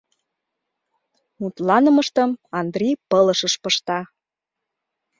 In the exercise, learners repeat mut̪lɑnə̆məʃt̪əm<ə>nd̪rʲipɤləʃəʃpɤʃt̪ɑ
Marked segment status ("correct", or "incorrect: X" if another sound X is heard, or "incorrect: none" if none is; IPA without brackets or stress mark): incorrect: ɑ